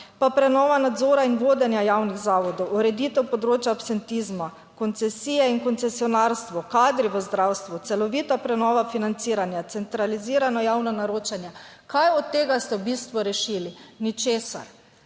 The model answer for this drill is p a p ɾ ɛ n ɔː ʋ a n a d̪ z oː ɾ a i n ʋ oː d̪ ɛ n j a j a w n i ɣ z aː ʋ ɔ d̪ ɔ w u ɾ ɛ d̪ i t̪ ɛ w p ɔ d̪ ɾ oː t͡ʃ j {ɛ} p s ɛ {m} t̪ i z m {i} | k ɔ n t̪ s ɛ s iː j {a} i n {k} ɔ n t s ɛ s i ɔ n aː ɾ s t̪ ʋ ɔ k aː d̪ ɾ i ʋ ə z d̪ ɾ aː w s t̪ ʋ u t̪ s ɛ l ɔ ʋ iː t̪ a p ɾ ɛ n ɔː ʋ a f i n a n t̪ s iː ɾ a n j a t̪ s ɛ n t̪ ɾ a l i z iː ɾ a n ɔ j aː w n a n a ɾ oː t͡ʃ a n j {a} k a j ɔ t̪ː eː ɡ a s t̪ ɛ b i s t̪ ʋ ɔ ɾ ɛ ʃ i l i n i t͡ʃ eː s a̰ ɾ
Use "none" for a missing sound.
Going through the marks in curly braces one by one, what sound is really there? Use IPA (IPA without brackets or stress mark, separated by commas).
a, n, a, ɛ, k, a